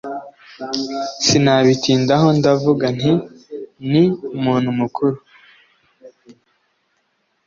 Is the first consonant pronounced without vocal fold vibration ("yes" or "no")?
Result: yes